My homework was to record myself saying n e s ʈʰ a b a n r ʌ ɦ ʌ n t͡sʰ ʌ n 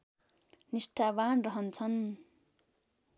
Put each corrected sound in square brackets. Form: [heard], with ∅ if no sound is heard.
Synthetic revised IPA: n [i] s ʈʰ a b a n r ʌ ɦ ʌ n t͡sʰ ʌ n

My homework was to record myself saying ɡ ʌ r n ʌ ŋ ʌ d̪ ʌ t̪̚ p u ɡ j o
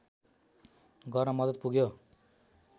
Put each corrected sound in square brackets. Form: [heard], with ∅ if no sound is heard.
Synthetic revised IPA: ɡ ʌ r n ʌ [m] ʌ d̪ ʌ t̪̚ p u ɡ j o

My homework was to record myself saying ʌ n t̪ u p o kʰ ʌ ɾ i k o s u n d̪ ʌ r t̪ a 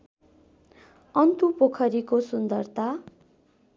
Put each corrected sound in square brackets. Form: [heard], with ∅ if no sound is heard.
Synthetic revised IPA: ʌ n t̪ u p o kʰ ʌ ɾ i k o s u n d̪ ʌ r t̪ a

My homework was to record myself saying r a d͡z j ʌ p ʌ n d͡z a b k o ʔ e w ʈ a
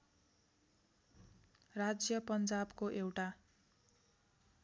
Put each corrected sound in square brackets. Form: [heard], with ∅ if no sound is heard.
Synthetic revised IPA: r a d͡z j ʌ p ʌ n d͡z a b k o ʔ e w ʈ a

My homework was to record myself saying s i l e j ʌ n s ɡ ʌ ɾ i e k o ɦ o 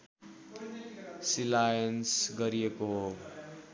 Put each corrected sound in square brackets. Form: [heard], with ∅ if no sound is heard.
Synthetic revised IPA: s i l [a] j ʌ n s ɡ ʌ ɾ i e k o ɦ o

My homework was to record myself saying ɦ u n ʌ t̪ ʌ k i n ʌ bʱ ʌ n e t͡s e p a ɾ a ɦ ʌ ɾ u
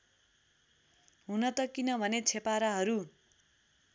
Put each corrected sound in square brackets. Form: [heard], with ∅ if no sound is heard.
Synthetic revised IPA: ɦ u n ʌ t̪ ʌ k i n ʌ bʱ ʌ n e [t͡sʰ] e p a ɾ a ɦ ʌ ɾ u

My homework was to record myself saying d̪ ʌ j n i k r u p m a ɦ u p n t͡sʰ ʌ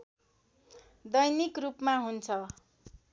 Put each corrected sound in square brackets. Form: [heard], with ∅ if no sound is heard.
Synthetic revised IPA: d̪ ʌ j n i k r u p m a ɦ u [∅] n t͡sʰ ʌ

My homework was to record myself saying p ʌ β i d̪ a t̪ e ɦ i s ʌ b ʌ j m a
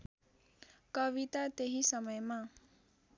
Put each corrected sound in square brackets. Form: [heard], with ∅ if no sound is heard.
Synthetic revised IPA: [k] ʌ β i [t̪] a t̪ e ɦ i s ʌ [m] ʌ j m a

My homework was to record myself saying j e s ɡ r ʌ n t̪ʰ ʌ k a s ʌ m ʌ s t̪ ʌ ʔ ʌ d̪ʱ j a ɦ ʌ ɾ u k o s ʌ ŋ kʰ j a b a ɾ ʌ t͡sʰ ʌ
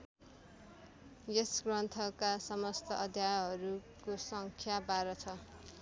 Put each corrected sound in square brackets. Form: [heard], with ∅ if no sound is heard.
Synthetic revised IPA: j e s ɡ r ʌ n t̪ʰ ʌ k a s ʌ m ʌ s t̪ ʌ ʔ ʌ d̪ʱ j a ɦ ʌ ɾ u k o s ʌ ŋ kʰ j a b a ɾ ʌ t͡sʰ ʌ

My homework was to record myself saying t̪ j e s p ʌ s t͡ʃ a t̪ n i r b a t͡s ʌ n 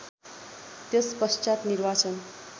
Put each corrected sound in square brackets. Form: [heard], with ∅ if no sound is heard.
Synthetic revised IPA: t̪ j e s p ʌ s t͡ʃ a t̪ n i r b a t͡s ʌ n

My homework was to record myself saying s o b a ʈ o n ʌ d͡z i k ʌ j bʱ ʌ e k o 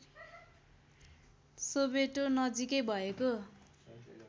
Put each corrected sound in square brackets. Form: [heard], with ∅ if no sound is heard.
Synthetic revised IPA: s o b [e] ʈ o n ʌ d͡z i k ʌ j bʱ ʌ e k o

